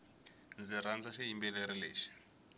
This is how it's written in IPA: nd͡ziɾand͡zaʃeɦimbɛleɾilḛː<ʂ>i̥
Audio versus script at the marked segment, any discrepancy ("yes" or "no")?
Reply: yes